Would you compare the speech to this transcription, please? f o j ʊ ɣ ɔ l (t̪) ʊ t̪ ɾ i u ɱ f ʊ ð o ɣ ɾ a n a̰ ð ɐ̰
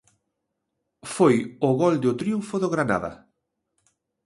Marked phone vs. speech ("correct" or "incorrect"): incorrect